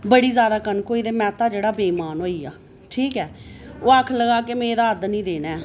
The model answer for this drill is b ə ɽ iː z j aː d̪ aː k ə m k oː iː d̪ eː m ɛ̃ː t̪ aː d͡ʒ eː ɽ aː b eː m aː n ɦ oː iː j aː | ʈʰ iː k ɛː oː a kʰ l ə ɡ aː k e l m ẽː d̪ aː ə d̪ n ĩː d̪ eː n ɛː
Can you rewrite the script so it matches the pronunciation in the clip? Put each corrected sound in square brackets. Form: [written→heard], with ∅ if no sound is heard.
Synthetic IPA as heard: b ə ɽ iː z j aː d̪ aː k ə [m→n] k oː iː d̪ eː m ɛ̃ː t̪ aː d͡ʒ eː ɽ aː b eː m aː n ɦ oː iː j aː | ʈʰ iː k ɛː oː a kʰ l ə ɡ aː k e [l→∅] m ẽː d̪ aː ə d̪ n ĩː d̪ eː n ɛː